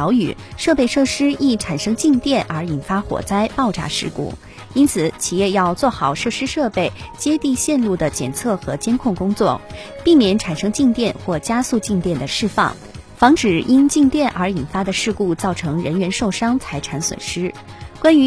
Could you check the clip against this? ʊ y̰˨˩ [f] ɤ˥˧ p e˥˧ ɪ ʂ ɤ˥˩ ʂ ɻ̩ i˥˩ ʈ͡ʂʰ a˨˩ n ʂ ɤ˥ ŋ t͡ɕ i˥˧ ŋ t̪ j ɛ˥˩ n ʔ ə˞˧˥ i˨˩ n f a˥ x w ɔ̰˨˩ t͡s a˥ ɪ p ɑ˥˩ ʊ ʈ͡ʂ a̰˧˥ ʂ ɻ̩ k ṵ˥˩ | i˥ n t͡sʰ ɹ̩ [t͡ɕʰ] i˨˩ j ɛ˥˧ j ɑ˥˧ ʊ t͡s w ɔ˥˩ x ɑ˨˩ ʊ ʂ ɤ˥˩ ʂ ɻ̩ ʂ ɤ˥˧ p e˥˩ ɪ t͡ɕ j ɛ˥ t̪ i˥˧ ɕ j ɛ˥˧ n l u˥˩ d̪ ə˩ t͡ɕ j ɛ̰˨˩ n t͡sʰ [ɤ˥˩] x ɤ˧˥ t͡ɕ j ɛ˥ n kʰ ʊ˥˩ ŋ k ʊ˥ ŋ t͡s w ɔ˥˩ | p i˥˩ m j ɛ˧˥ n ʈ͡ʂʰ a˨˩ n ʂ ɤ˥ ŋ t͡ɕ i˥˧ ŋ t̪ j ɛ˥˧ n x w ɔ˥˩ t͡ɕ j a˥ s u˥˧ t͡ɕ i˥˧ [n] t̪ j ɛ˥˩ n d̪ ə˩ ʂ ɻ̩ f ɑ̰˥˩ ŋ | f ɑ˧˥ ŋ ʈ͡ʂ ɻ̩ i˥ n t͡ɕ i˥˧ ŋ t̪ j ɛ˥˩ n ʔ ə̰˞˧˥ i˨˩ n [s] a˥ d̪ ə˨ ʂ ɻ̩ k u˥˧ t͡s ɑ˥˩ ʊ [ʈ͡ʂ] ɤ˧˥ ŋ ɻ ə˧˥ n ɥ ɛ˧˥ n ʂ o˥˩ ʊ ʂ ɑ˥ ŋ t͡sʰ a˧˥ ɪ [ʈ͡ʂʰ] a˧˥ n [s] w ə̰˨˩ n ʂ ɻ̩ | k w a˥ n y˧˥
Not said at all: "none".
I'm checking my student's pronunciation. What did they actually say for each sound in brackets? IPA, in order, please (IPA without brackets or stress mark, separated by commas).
ʂ, t͡ɕʰ, ɤ˥˩, ŋ, f, ʈ͡ʂʰ, ʈ͡ʂʰ, s